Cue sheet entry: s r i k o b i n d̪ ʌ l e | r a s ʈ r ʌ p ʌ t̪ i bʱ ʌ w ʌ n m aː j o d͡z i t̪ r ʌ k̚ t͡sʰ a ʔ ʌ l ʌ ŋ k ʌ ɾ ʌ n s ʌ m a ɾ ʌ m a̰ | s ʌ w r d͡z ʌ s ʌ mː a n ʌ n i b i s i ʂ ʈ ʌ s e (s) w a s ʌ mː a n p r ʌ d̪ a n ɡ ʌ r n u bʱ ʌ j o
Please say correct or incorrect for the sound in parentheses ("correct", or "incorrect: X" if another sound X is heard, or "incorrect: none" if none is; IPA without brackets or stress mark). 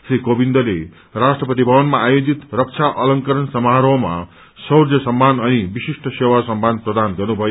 incorrect: none